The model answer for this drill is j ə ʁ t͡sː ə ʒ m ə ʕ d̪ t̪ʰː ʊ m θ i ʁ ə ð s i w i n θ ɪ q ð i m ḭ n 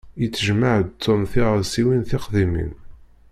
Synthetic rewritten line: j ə t͡sː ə ʒ m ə ʕ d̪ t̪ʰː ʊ m θ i ʁ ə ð s i w i n θ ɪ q ð i m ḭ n